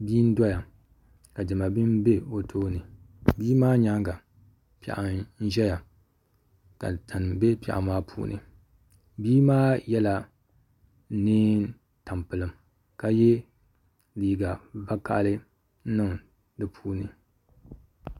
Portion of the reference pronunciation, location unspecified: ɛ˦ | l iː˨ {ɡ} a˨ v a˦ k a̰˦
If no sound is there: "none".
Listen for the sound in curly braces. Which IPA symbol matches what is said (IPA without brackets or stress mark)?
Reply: ɡ